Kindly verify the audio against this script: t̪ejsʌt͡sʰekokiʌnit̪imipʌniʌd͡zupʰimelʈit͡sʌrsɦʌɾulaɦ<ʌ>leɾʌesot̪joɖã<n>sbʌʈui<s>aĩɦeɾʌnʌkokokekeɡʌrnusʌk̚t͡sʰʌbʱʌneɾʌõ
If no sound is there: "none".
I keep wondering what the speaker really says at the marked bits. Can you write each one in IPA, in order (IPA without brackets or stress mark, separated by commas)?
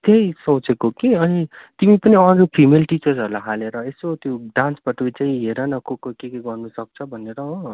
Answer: a, n, t͡s